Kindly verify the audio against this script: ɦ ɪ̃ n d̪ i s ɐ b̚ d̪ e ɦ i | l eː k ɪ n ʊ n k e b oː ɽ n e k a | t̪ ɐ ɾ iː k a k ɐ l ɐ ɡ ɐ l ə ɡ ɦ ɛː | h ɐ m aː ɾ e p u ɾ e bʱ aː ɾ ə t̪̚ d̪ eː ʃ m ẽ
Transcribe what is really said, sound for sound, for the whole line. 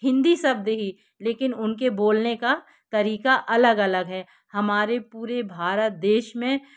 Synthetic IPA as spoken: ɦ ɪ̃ n d̪ i s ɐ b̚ d̪ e ɦ i | l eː k ɪ n ʊ n k e b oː l n e k a | t̪ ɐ ɾ iː k a ʔ ɐ l ə ɡ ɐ l ə ɡ ɦ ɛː | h ɐ m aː ɾ e p uː ɾ e bʱ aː ɾ ə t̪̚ d̪ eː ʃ m ẽ